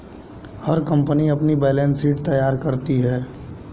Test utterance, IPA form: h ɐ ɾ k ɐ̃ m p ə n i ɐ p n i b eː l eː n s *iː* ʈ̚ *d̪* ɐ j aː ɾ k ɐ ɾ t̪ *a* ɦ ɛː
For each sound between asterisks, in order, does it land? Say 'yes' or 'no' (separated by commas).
yes, no, no